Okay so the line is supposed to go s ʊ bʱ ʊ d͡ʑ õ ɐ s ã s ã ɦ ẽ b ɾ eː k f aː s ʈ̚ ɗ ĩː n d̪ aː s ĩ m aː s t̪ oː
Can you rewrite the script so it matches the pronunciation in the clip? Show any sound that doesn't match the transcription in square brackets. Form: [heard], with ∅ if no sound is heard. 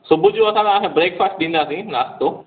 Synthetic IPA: s ʊ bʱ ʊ d͡ʑ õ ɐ s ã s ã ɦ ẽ b ɾ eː k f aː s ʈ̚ ɗ ĩː n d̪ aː s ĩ [n] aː s t̪ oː

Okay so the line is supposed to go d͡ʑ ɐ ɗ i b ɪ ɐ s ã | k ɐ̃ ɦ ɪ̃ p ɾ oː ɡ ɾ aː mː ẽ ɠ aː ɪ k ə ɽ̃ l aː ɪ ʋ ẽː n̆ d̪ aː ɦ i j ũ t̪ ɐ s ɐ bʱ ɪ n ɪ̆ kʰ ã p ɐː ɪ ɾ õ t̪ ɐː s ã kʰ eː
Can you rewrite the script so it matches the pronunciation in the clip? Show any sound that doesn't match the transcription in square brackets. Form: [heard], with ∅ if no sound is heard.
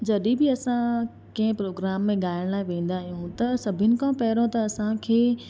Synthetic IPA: d͡ʑ ɐ ɗ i b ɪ ɐ s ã | k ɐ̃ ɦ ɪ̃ p ɾ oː ɡ ɾ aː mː ẽ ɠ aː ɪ [∅] ə ɽ̃ l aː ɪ ʋ ẽː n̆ d̪ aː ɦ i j ũ t̪ ɐ s ɐ bʱ ɪ n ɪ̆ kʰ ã p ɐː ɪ ɾ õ t̪ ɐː s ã kʰ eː

